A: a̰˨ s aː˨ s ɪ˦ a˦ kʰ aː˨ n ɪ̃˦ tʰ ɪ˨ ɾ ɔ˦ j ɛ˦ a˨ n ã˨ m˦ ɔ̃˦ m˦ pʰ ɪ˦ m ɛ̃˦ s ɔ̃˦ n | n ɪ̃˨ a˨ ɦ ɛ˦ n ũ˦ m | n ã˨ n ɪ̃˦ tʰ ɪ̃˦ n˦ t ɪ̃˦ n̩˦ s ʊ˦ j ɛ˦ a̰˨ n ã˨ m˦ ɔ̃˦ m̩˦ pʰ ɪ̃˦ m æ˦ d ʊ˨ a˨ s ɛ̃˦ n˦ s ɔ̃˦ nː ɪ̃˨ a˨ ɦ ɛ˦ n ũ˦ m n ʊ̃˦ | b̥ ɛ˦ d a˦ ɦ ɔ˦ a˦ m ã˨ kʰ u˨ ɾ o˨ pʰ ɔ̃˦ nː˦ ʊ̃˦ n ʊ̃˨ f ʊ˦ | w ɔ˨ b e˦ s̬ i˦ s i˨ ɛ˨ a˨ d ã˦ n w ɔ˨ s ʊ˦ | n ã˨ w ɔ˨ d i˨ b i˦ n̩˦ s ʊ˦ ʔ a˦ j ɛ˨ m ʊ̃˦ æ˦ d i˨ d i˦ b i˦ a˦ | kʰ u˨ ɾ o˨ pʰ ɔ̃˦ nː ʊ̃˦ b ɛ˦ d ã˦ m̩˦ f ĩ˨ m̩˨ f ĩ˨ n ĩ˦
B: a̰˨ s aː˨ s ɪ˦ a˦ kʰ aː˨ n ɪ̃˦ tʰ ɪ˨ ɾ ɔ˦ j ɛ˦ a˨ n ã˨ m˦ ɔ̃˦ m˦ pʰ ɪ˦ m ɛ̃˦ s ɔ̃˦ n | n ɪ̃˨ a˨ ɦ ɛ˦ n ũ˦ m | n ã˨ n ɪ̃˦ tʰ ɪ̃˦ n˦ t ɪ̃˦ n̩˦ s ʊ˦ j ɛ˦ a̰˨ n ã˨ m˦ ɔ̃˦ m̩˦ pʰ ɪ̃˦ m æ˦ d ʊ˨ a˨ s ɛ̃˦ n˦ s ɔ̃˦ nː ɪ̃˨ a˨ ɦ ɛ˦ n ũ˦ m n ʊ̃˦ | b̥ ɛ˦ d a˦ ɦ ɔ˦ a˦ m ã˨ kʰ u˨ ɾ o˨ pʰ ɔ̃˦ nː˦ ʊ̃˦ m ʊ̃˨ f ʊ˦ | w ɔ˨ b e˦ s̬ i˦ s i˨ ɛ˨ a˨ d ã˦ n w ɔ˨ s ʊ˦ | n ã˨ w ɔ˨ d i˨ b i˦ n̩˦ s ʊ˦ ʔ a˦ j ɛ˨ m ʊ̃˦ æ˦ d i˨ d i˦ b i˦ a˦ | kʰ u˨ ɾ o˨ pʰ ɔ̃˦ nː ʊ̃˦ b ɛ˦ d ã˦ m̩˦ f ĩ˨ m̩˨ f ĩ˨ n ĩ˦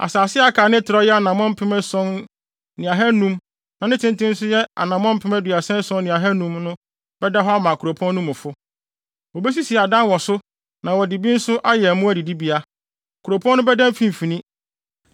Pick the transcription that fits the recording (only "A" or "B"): B